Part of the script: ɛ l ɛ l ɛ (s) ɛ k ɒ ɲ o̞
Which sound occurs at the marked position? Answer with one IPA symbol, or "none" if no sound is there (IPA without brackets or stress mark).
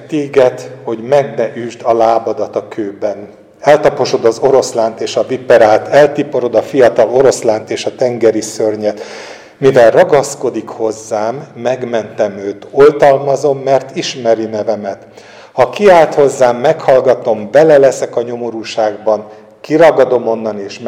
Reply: s